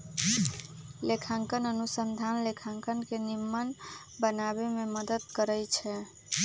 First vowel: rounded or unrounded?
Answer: unrounded